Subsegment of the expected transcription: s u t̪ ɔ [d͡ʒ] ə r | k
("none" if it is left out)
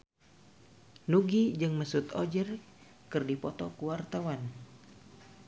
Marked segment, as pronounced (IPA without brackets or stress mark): d͡ʒ